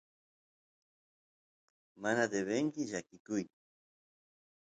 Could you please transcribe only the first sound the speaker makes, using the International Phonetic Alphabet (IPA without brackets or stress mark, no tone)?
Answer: m